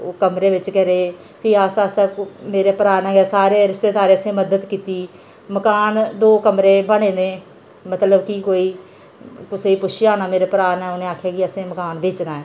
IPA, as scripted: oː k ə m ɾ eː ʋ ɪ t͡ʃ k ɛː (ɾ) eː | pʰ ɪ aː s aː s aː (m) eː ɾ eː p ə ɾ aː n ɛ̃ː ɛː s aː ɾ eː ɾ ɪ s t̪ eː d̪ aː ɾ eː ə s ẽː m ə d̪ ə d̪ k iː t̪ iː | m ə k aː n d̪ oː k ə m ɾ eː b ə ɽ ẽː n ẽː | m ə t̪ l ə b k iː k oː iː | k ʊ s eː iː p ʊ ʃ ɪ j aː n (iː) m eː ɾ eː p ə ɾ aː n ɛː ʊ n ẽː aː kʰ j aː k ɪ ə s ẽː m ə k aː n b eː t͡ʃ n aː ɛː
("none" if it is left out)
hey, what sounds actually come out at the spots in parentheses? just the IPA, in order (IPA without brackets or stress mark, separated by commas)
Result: ɾ, m, aː